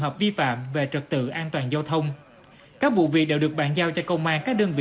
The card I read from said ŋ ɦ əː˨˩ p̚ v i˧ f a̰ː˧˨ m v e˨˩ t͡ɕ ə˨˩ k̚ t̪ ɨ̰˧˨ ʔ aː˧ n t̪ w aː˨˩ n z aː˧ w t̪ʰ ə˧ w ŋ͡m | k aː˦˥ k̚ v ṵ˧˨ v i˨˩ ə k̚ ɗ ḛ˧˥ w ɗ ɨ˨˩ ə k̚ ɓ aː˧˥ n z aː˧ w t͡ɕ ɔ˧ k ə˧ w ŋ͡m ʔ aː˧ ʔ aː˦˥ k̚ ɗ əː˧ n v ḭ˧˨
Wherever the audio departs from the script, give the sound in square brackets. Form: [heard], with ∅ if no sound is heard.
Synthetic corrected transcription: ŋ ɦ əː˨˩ p̚ v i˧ f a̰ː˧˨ m v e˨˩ t͡ɕ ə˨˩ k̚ t̪ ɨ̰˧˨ ʔ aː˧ n t̪ w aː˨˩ n z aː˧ w t̪ʰ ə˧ w ŋ͡m | k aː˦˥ k̚ v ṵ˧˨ v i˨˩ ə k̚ ɗ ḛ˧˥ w ɗ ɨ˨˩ ə k̚ ɓ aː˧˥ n z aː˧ w t͡ɕ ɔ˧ k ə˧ w ŋ͡m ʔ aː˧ [k] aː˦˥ k̚ ɗ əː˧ n v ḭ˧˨